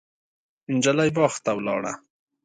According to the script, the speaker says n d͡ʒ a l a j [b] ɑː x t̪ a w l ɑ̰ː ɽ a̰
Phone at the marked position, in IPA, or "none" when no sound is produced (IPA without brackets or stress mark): b